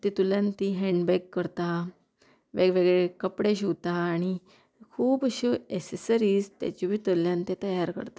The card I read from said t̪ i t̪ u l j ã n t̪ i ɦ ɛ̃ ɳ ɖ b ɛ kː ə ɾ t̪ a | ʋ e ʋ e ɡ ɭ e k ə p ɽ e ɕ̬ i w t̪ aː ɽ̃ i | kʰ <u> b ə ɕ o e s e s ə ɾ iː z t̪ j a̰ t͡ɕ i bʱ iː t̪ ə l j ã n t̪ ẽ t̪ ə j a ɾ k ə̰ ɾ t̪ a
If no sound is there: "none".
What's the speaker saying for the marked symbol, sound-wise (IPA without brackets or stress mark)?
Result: uː